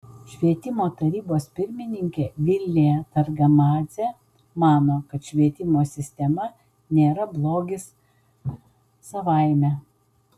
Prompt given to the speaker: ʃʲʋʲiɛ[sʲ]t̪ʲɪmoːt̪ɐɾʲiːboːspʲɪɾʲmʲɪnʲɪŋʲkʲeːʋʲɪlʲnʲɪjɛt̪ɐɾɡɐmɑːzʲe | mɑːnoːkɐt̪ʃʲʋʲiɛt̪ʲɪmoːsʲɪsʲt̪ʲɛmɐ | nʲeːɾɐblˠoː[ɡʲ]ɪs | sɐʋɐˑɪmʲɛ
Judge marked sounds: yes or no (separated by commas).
no, yes